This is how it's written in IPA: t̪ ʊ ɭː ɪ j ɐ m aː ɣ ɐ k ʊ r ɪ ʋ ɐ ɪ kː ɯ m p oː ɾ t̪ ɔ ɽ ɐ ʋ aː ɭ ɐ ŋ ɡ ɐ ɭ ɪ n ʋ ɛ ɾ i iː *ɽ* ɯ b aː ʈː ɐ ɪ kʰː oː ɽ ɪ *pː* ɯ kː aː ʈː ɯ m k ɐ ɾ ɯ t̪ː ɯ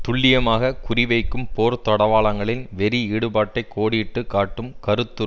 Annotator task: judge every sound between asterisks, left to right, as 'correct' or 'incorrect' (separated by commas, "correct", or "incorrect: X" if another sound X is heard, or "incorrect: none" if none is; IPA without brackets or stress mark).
correct, incorrect: ʈː